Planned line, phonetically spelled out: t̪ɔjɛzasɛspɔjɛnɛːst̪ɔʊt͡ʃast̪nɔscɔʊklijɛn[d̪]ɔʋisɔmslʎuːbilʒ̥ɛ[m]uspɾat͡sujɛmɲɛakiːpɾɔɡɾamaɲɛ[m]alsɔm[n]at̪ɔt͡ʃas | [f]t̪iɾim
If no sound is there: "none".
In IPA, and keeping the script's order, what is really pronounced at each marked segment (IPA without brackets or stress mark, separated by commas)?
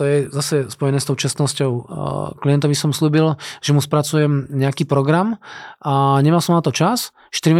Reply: t̪, m, m, n, ʃ